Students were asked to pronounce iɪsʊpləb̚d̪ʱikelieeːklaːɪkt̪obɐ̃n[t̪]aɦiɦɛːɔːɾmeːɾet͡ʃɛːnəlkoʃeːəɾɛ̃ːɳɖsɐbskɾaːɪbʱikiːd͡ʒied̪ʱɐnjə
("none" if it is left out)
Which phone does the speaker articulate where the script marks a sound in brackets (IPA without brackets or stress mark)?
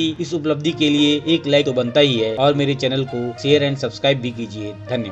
t̪